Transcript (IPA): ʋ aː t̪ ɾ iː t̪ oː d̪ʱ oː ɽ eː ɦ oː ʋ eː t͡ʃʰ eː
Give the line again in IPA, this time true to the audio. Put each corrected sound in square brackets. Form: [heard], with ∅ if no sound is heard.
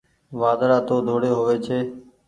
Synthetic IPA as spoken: ʋ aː [d̪] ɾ [aː] t̪ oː d̪ʱ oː ɽ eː ɦ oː ʋ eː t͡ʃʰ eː

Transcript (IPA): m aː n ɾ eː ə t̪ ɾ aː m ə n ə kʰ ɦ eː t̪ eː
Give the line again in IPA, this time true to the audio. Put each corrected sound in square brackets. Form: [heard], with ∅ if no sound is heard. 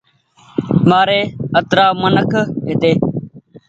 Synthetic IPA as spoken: m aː [∅] ɾ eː ə t̪ ɾ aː m ə n ə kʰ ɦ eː t̪ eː

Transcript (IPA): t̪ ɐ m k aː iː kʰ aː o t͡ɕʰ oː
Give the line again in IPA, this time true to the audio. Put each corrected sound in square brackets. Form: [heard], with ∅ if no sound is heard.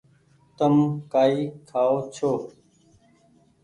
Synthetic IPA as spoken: t̪ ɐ m k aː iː kʰ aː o t͡ɕʰ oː

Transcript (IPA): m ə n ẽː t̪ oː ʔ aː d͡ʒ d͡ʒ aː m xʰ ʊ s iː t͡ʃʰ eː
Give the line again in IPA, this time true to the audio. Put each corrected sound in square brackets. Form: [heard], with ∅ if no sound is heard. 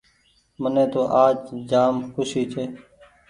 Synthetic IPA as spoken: m ə n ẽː t̪ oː ʔ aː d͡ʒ d͡ʒ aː m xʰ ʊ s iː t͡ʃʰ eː

